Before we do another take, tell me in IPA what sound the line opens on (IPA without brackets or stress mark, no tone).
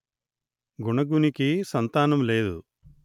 ɡ